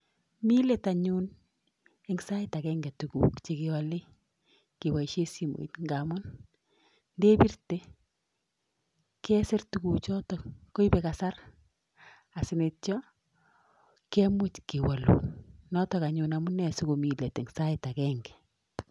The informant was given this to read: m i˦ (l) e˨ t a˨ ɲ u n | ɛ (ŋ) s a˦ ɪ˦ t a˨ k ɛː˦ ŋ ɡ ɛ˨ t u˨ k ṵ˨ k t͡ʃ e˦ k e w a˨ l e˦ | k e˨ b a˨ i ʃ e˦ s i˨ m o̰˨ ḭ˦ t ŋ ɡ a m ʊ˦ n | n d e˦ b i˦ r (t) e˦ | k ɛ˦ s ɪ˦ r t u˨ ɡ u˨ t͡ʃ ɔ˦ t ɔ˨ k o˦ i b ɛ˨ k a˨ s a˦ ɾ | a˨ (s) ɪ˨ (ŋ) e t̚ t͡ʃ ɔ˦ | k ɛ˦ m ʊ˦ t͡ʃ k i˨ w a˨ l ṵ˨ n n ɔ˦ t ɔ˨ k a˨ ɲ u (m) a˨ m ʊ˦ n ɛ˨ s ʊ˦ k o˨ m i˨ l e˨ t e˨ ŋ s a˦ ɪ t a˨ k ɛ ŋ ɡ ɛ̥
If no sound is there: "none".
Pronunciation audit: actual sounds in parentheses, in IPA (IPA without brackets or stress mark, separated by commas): l, ŋ, t, s, n, n